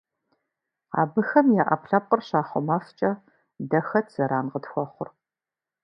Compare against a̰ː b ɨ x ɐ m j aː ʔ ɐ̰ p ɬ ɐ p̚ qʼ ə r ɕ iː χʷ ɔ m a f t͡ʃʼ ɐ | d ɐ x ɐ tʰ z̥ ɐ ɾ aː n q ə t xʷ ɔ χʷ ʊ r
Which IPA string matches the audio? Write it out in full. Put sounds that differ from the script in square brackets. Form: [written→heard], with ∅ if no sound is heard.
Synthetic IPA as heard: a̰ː b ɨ x ɐ m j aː ʔ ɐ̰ p ɬ ɐ p̚ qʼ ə r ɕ [iː→aː] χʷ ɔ m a f t͡ʃʼ ɐ | d ɐ x ɐ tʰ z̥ ɐ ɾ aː n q ə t xʷ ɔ χʷ ʊ r